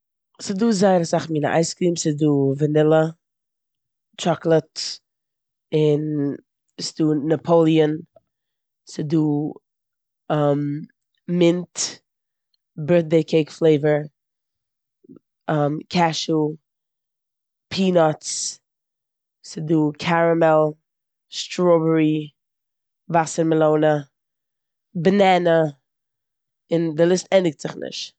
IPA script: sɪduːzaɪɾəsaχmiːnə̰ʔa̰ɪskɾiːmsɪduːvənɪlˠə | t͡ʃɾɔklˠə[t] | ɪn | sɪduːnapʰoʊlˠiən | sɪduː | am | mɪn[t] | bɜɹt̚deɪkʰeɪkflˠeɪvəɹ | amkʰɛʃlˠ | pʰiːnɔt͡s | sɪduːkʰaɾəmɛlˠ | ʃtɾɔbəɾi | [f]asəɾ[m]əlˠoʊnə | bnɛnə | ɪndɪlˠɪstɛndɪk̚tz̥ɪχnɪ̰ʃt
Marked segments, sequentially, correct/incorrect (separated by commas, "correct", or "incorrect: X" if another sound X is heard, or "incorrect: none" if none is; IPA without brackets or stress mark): correct, correct, incorrect: v, correct